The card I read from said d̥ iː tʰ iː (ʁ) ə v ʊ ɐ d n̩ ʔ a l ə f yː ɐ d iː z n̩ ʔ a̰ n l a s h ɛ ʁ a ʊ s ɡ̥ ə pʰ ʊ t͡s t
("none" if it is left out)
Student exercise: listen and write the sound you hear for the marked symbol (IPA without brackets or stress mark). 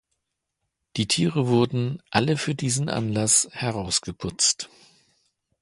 ʁ